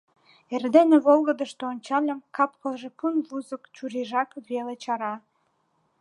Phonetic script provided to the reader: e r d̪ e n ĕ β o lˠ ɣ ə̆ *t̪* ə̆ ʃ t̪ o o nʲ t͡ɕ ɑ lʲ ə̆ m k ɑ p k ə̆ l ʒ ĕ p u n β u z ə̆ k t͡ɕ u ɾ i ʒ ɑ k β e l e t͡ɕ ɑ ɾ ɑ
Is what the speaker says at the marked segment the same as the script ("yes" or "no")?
no